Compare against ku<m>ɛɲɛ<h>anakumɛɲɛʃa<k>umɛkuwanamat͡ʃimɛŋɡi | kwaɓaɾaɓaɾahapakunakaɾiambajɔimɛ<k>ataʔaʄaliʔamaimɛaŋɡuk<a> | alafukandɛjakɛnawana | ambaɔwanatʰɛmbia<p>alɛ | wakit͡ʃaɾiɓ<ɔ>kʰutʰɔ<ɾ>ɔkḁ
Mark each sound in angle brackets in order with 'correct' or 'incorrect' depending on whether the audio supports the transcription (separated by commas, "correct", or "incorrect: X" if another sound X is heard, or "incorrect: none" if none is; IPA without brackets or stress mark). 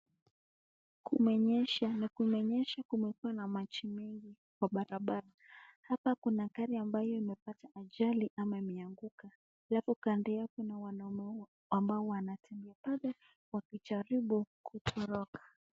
correct, incorrect: ʃ, correct, incorrect: p, correct, correct, incorrect: u, correct